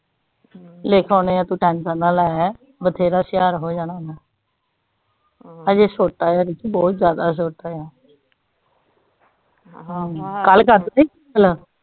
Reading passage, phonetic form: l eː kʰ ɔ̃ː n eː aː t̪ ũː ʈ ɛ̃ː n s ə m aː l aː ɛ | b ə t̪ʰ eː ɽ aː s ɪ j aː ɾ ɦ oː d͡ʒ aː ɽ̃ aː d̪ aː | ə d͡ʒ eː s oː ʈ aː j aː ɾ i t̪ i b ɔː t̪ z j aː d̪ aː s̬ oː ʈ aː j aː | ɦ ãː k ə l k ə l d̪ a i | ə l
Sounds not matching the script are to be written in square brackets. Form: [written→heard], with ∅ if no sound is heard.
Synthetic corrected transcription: l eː kʰ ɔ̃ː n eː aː t̪ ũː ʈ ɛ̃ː n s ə [m→n] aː l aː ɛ | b ə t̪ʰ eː [ɽ→ɾ] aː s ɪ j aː ɾ ɦ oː d͡ʒ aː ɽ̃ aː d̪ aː | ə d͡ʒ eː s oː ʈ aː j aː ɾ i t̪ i b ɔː t̪ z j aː d̪ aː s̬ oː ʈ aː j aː | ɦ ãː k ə l k ə [l→ɾ] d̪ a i | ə l